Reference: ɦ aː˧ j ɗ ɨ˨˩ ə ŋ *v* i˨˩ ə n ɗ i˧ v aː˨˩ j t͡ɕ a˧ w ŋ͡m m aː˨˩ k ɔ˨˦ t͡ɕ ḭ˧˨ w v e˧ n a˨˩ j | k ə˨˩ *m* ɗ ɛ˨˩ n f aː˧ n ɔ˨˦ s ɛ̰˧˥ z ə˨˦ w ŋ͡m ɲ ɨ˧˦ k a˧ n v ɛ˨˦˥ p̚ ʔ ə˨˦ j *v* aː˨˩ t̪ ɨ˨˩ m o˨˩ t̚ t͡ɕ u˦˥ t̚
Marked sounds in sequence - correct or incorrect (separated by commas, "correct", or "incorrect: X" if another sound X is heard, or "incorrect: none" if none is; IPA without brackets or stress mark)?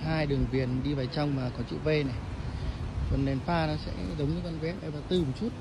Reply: correct, incorrect: n, correct